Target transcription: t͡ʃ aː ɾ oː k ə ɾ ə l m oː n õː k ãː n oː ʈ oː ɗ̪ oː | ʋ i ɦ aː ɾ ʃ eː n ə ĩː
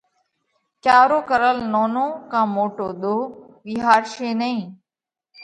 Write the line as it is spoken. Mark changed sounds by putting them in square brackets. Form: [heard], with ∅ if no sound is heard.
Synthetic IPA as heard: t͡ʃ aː ɾ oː k ə ɾ ə l [n] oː n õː k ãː [m] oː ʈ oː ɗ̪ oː | ʋ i ɦ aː ɾ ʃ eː n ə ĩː